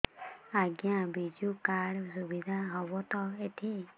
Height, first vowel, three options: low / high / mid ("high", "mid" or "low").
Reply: low